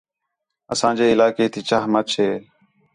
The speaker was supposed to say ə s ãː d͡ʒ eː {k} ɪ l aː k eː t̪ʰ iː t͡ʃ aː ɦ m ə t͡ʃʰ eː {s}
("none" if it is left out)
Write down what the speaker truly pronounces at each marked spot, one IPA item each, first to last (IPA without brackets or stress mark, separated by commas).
none, none